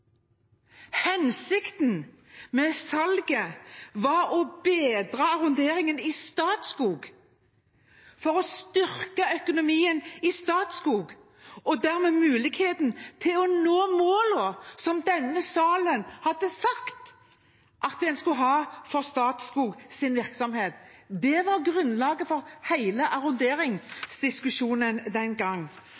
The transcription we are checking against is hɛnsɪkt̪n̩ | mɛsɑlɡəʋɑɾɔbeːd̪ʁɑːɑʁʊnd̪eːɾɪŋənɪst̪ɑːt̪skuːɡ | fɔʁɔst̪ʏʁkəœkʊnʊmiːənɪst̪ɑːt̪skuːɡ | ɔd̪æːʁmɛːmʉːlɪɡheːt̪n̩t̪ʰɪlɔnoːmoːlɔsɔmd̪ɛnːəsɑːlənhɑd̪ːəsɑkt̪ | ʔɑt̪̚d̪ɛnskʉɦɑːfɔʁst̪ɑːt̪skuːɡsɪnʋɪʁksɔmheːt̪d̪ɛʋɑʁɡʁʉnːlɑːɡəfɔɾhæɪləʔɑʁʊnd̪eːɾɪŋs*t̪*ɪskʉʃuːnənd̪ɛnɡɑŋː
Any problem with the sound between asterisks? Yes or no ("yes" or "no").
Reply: yes